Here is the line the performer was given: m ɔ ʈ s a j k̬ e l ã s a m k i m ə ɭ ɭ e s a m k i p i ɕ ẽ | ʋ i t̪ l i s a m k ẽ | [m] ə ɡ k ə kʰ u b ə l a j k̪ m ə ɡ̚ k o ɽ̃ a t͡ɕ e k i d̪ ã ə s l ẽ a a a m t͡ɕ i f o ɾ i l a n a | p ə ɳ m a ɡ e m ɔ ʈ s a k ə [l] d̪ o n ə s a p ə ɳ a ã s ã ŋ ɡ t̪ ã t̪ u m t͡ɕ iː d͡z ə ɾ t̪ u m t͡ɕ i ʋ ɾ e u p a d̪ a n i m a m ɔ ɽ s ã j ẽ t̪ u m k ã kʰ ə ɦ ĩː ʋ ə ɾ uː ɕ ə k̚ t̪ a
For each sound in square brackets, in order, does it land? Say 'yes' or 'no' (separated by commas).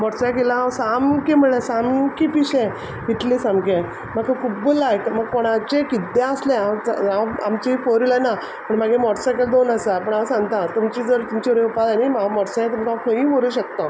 yes, yes